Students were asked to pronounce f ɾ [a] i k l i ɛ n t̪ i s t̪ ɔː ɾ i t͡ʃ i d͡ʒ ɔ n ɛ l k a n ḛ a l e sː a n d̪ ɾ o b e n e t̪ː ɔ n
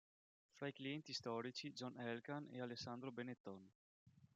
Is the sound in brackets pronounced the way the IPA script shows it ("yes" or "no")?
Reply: yes